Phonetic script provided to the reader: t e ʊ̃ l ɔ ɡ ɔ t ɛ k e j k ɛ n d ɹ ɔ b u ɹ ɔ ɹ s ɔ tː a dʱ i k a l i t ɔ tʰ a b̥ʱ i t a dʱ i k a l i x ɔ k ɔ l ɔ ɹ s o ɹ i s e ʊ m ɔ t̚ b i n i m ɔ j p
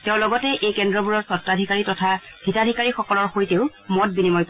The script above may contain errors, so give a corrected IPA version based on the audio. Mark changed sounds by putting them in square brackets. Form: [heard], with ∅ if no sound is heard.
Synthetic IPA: t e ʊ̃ l ɔ ɡ ɔ t ɛ [ʔ] e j k ɛ n d ɹ ɔ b u ɹ ɔ ɹ s ɔ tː a dʱ i k a [ɹ] i t ɔ tʰ a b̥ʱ i t a dʱ i k a [ɹ] i x ɔ k ɔ l ɔ ɹ [x] o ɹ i [t] e ʊ m ɔ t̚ b i n i m ɔ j p